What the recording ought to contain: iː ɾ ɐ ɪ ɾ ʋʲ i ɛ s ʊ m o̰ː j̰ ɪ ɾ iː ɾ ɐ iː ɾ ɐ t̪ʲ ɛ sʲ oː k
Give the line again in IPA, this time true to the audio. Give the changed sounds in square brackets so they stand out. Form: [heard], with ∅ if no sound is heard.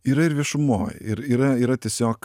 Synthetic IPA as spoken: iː ɾ ɐ ɪ ɾ ʋʲ i ɛ [ʃ] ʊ m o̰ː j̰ ɪ ɾ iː ɾ ɐ iː ɾ ɐ t̪ʲ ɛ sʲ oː k